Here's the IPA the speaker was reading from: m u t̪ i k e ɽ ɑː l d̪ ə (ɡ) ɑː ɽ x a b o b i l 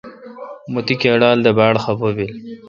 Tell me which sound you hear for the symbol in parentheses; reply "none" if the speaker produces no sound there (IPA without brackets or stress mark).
b